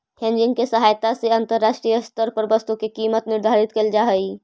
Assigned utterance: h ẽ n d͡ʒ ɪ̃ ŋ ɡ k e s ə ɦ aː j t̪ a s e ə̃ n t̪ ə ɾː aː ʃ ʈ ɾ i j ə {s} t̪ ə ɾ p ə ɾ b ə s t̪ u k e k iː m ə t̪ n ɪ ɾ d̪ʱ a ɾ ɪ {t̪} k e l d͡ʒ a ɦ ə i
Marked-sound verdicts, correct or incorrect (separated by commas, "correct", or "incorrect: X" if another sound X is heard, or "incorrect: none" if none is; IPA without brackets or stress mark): correct, correct